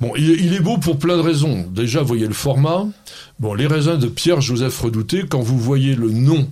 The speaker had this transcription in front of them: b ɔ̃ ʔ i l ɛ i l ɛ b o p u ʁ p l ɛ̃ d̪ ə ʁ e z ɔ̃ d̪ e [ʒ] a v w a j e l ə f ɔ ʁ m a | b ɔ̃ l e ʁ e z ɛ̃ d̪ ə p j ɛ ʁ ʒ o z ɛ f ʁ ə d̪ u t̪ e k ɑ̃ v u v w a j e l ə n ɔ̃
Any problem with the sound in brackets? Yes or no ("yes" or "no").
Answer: no